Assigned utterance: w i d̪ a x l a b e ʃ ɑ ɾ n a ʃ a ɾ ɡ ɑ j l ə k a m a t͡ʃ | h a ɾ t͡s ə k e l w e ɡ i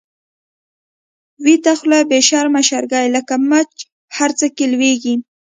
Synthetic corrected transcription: w i t̪ a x l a b e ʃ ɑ ɾ m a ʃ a ɾ ɡ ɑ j l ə k a m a t͡ʃ | h a ɾ t͡s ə k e l w e ɡ i